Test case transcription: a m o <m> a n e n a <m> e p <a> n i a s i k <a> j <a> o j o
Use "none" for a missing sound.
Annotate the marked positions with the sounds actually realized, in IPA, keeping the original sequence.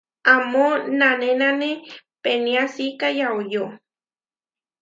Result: n, n, e, a, a

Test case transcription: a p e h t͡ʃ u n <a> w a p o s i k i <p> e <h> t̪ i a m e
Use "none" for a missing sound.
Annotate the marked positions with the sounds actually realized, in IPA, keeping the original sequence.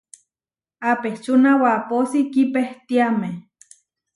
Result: a, p, h

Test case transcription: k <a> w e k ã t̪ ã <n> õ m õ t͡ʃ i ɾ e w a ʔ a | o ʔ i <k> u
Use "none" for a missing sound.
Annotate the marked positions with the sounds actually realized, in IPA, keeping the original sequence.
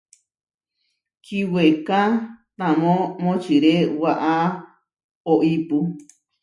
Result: i, m, p

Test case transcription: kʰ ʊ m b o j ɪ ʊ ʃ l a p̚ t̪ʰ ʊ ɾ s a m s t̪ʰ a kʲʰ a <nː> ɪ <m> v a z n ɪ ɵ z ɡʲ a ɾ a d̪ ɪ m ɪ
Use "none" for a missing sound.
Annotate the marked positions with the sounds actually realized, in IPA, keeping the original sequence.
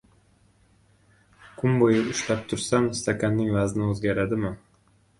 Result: nː, ŋ

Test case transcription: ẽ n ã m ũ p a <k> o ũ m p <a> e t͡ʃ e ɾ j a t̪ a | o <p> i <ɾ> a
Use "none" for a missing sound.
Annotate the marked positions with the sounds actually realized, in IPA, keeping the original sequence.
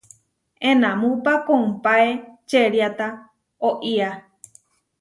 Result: k, a, ʔ, none

